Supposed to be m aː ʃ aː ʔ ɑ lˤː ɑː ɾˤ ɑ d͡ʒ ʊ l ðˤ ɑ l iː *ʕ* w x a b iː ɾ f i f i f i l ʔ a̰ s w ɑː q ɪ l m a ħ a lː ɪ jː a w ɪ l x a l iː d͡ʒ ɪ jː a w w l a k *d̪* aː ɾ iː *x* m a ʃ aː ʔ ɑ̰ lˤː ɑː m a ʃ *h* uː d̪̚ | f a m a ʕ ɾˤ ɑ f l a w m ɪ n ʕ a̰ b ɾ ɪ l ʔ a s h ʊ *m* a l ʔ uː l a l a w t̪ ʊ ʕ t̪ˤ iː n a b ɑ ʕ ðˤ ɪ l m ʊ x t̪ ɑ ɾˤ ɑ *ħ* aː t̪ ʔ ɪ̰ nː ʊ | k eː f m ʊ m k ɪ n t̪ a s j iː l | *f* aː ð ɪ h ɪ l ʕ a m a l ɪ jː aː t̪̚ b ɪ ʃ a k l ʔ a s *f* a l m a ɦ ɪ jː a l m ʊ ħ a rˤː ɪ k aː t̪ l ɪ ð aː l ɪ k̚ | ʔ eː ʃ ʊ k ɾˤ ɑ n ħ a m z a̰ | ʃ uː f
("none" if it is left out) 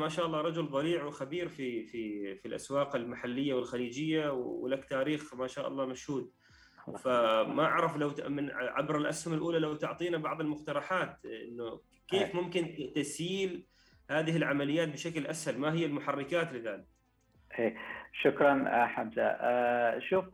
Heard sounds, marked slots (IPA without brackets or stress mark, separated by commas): ʕ, t̪, x, h, m, ħ, h, h